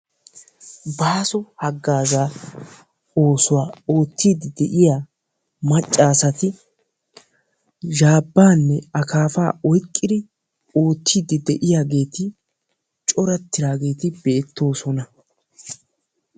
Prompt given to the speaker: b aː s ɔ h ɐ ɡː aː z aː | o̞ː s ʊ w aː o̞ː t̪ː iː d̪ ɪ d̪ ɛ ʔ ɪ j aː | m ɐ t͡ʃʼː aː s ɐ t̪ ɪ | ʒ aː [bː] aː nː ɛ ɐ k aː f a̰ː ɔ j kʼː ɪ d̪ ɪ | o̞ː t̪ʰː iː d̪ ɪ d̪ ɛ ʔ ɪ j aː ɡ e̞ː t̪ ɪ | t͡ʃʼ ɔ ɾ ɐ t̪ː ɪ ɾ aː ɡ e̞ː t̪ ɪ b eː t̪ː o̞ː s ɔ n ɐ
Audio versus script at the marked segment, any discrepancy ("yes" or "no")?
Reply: no